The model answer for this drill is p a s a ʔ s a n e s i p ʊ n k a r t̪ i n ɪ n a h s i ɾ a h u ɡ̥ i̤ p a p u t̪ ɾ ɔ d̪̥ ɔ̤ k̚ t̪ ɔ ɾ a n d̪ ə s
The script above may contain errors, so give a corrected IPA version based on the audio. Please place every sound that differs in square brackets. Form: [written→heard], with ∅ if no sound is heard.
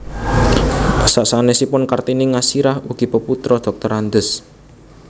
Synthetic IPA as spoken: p a s a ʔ s a n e s i p ʊ n k a r t̪ i n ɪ [n→ŋ] a [h→∅] s i ɾ a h u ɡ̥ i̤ p [a→ə] p u t̪ ɾ ɔ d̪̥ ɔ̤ k̚ t̪ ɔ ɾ a n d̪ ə s